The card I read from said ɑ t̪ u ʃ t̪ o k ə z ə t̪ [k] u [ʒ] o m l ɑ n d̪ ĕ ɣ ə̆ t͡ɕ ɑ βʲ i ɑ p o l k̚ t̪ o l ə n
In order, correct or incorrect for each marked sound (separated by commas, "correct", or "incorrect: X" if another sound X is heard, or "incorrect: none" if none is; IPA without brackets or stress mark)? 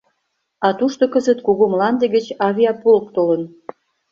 correct, incorrect: ɣ